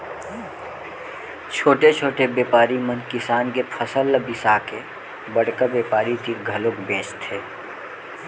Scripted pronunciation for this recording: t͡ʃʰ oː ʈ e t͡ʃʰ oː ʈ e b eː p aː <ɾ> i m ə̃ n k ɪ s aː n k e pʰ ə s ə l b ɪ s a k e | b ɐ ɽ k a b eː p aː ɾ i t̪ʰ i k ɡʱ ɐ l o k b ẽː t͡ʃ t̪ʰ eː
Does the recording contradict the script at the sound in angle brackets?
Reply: no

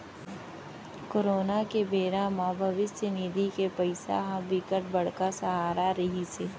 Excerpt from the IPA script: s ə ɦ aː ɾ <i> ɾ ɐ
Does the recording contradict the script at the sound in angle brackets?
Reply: yes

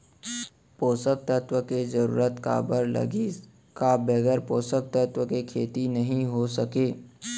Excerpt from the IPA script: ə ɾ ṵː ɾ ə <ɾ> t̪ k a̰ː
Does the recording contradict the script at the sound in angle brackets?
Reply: yes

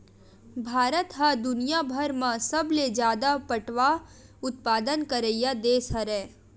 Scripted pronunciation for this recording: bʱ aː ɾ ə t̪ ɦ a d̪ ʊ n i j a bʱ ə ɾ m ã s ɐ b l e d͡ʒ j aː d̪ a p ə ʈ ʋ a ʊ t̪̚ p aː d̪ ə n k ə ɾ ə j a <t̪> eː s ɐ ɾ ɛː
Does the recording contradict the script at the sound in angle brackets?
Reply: yes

